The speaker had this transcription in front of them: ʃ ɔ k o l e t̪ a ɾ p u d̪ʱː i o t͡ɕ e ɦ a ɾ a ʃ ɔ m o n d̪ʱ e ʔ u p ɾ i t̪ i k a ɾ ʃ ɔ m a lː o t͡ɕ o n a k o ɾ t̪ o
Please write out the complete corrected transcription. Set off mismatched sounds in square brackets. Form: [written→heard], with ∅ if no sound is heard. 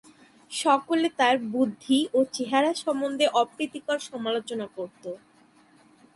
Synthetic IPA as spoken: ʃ ɔ k o l e t̪ a ɾ [p→b] u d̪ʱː i o t͡ɕ e ɦ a ɾ a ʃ ɔ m o n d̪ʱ e ʔ [u→ɔ] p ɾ i t̪ i k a ɾ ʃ ɔ m a [lː→l] o t͡ɕ o n a k o ɾ t̪ o